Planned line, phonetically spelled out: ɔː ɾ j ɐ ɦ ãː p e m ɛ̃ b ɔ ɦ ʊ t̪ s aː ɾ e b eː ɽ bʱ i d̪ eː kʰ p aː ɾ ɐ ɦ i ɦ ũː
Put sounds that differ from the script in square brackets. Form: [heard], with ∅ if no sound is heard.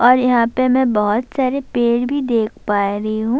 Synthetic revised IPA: ɔː ɾ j ɐ ɦ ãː p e m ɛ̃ b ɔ ɦ ʊ t̪ s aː ɾ e [p] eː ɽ bʱ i d̪ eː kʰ p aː ɾ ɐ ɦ i ɦ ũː